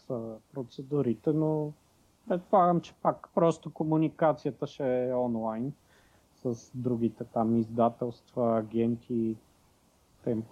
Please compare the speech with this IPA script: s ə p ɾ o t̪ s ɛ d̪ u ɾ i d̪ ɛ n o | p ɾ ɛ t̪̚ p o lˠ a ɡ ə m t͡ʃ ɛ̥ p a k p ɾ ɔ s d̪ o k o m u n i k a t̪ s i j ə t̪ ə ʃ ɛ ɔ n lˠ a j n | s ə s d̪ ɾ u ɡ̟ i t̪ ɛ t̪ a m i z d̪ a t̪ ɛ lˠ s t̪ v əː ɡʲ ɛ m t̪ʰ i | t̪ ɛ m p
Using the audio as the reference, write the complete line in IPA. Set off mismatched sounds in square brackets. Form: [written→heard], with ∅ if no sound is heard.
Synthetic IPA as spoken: s ə p ɾ o t̪ s ɛ d̪ u ɾ i [d̪→t̪] ɛ n o | p ɾ ɛ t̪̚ p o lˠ a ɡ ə m t͡ʃ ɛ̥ p a k p ɾ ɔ s [d̪→t̪] o k o m u n i k a t̪ s i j ə t̪ ə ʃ ɛ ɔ n lˠ a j n | s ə s d̪ ɾ u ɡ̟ i t̪ ɛ t̪ a m i z d̪ a t̪ ɛ lˠ s t̪ v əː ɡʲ ɛ [m→n] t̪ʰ i | t̪ ɛ m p